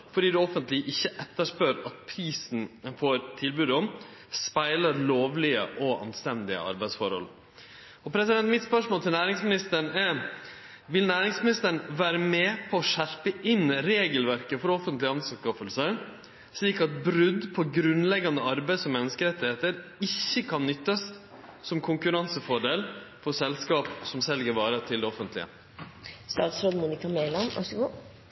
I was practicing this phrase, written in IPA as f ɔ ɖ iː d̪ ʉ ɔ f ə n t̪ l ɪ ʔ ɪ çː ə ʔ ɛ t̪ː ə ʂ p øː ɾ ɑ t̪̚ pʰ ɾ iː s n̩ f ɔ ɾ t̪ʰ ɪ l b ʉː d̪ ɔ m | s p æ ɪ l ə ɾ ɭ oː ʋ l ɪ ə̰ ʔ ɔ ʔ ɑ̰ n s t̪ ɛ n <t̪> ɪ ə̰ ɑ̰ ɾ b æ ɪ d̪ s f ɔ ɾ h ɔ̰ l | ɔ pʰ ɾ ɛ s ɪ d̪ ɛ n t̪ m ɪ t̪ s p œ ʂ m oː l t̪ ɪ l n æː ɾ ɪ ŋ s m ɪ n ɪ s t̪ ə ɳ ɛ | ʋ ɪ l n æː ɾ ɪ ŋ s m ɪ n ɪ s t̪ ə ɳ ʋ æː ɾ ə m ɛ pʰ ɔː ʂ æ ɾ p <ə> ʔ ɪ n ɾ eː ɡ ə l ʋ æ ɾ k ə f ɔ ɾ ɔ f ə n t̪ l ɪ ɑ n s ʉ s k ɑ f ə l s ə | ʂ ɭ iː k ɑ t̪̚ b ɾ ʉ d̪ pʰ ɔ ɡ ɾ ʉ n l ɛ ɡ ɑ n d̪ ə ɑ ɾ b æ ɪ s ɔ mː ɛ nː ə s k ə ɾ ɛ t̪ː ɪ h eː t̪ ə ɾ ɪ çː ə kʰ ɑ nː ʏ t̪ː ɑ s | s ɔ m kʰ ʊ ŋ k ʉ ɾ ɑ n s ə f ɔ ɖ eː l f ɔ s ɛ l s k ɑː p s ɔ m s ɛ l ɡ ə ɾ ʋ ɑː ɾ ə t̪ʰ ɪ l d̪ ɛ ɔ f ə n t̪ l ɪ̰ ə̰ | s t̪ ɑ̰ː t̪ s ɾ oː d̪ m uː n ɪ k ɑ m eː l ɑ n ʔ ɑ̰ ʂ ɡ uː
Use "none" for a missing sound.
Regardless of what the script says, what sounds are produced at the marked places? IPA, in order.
d̪, ə

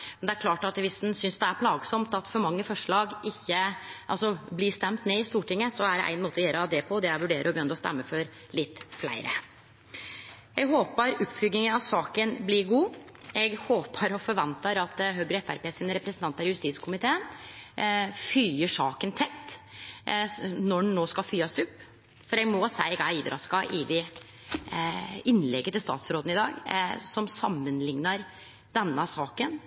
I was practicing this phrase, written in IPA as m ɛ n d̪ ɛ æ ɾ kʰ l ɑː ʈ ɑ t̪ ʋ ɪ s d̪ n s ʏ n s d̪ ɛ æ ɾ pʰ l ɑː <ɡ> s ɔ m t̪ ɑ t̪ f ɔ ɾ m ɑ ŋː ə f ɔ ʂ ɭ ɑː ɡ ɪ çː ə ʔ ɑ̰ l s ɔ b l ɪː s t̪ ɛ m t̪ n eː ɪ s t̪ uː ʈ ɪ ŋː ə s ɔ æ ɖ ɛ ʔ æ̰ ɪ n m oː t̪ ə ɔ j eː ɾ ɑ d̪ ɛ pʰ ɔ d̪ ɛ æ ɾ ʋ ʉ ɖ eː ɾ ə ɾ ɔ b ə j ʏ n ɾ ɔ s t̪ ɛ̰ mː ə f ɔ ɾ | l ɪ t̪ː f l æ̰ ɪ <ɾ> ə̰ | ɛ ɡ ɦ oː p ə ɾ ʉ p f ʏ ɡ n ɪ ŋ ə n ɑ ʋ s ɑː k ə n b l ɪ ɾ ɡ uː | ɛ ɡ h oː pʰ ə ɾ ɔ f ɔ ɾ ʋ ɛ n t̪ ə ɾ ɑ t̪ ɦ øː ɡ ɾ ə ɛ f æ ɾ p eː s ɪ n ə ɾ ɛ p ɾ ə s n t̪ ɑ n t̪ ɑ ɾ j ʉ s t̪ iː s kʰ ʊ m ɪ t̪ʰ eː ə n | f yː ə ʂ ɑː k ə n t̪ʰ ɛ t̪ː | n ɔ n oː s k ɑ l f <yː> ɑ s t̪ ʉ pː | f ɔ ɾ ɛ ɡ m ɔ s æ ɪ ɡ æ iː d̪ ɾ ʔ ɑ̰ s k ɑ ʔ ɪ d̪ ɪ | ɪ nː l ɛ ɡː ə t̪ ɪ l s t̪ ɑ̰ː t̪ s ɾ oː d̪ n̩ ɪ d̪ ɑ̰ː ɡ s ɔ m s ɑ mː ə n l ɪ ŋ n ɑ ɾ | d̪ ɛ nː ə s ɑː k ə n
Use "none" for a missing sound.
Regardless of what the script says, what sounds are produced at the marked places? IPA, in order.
ɡ, ɾ, yː

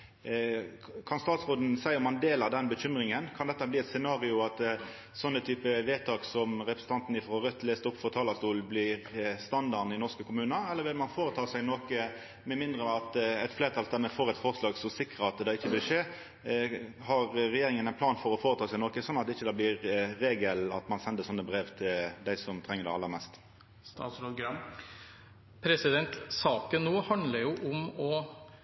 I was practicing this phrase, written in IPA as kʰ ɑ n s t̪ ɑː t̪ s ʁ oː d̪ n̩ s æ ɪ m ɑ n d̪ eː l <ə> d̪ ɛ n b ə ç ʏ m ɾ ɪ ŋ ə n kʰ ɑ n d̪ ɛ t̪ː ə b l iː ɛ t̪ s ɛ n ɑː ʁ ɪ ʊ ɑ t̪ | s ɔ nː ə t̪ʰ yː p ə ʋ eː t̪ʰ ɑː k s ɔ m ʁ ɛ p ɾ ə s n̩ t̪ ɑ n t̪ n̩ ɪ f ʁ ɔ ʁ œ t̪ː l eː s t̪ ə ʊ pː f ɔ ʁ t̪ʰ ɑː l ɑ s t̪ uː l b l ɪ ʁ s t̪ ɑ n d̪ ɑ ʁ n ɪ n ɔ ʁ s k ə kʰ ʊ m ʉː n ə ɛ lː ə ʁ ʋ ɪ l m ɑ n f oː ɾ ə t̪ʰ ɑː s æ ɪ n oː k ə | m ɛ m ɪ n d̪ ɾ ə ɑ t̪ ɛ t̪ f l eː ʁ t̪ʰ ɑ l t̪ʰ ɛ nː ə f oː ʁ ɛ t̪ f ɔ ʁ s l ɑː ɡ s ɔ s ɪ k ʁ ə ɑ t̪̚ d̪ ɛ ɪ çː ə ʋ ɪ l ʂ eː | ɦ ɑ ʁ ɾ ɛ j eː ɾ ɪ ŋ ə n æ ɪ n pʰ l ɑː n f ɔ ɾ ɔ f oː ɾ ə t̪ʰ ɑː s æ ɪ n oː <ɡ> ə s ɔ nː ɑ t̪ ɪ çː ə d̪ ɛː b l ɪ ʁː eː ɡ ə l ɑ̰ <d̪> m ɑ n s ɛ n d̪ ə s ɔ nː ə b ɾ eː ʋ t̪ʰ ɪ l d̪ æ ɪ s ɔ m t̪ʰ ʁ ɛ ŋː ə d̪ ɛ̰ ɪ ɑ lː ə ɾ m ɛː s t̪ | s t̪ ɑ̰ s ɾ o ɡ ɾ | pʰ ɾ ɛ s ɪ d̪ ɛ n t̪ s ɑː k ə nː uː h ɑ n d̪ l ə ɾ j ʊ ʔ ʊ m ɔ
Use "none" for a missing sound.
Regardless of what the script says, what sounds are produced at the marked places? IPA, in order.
ɑ, k, t̪

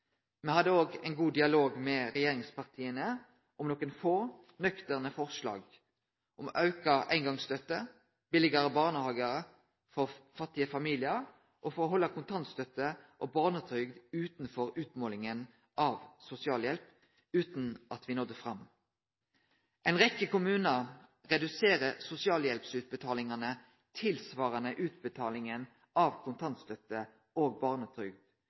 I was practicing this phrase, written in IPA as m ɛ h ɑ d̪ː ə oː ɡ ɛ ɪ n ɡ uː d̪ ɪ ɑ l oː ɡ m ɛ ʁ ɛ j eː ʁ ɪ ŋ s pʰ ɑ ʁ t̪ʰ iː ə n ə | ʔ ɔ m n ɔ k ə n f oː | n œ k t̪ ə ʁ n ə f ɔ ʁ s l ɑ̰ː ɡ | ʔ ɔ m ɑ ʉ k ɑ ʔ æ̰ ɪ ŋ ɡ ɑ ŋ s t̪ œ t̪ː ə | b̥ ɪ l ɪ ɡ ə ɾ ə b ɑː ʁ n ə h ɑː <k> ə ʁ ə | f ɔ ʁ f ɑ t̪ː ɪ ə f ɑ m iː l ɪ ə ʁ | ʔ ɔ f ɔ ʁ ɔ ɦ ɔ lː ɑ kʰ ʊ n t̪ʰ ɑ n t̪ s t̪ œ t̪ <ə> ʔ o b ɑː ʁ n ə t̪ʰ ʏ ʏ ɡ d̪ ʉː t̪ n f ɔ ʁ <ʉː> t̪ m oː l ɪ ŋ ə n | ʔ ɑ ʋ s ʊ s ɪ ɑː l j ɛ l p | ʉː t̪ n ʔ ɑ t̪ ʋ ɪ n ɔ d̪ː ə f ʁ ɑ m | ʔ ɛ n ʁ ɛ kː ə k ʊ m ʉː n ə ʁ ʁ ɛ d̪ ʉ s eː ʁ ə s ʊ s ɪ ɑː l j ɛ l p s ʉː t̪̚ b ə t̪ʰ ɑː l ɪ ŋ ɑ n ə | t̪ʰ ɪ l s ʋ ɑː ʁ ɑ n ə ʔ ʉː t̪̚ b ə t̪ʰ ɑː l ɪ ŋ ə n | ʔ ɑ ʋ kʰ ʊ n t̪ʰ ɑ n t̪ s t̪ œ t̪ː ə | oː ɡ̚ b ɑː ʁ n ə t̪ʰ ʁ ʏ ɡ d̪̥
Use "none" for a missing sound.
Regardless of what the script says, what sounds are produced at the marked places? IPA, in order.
ɡ, ə, ʉː

